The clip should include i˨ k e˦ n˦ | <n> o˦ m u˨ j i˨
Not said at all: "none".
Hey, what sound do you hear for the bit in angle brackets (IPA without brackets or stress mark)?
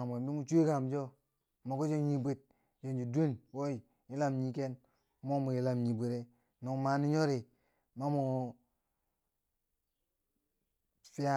m